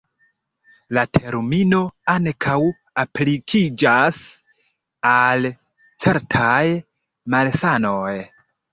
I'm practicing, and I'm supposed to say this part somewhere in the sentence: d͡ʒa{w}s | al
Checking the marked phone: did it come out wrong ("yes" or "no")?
yes